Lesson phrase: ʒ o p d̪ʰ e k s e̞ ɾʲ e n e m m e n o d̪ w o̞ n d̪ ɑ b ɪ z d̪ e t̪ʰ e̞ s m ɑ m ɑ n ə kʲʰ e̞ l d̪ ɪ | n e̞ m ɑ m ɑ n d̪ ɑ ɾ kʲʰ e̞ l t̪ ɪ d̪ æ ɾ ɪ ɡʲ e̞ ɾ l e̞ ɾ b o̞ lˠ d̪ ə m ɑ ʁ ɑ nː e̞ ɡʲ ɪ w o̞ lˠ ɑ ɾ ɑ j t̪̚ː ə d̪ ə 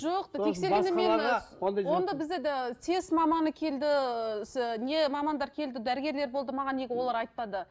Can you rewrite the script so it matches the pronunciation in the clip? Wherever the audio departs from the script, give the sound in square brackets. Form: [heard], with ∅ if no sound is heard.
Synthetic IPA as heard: ʒ o [q] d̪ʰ e k s e̞ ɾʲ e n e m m e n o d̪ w o̞ n d̪ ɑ b ɪ z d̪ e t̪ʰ e̞ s m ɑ m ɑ n ə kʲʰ e̞ l d̪ ɪ | n e̞ m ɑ m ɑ n d̪ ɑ ɾ kʲʰ e̞ l [d̪] ɪ d̪ æ ɾ ɪ ɡʲ e̞ ɾ l e̞ ɾ b o̞ lˠ d̪ ə m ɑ ʁ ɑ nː e̞ ɡʲ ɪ w o̞ lˠ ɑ ɾ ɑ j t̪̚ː [ɑ] d̪ ə

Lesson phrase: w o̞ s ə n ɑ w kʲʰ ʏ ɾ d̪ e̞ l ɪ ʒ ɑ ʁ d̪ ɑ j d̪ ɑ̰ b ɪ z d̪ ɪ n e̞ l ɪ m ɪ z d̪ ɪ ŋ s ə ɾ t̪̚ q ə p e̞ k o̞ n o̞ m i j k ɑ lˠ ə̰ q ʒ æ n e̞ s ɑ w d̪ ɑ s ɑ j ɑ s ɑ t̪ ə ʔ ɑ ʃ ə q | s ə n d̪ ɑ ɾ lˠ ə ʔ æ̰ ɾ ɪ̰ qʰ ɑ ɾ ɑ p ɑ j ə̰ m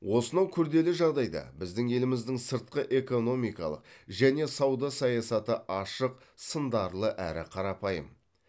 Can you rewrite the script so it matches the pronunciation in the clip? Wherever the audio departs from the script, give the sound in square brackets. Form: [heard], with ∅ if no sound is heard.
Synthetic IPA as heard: w o̞ s ə n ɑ w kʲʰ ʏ ɾ d̪ e̞ l ɪ ʒ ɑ ʁ d̪ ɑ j d̪ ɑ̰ b ɪ z d̪ ɪ [ŋ] e̞ l ɪ m ɪ z d̪ ɪ ŋ s ə ɾ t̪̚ q ə [ʔ] e̞ k o̞ n o̞ m i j k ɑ lˠ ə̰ q ʒ æ n e̞ s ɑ w d̪ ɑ s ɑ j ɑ s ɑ t̪ ə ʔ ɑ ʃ ə q | s ə n d̪ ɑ ɾ lˠ ə ʔ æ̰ ɾ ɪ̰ qʰ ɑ ɾ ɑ p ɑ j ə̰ m

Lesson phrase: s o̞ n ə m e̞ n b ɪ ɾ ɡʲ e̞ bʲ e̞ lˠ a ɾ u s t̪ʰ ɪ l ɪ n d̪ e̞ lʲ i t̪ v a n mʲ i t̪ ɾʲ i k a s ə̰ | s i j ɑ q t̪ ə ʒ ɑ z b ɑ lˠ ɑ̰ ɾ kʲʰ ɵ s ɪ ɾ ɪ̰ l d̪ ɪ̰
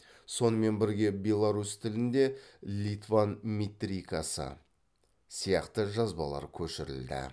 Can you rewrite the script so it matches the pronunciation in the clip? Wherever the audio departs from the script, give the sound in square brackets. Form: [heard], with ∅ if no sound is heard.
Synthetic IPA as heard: s o̞ n ə m e̞ n b ɪ ɾ ɡʲ e̞ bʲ e̞ lˠ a ɾ u s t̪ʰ ɪ l ɪ n d̪ e̞ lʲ i t̪ v a n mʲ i t̪ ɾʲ i k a s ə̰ | s i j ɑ q t̪ ə ʒ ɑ z b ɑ lˠ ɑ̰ ɾ kʲʰ ɵ [ʃ] ɪ ɾ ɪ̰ l d̪ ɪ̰

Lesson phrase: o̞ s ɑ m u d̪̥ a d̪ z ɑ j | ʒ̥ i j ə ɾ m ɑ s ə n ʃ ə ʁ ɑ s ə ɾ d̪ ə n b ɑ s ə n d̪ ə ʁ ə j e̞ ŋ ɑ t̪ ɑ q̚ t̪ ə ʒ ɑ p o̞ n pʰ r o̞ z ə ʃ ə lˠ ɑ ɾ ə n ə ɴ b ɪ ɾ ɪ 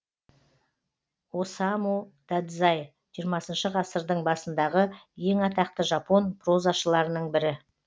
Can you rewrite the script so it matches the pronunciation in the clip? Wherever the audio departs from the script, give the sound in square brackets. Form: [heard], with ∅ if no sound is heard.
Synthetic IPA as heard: o̞ s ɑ m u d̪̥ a d̪ z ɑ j | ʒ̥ i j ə ɾ m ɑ s ə n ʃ ə ʁ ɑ s ə ɾ d̪ ə [ɴ] b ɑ s ə n d̪ [ɑ] ʁ ə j e̞ ŋ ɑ t̪ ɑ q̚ t̪ ə ʒ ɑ p o̞ n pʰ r o̞ z [ɑ] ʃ ə lˠ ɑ ɾ ə n ə ɴ b ɪ ɾ ɪ

